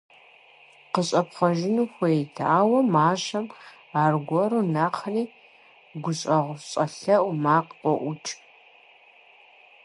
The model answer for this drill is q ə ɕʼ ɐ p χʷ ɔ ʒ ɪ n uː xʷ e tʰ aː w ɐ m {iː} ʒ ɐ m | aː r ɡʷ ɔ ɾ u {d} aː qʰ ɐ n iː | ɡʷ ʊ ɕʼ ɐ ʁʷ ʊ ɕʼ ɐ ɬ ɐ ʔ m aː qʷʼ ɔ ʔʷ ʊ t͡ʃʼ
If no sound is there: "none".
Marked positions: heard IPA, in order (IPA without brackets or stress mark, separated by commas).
aː, n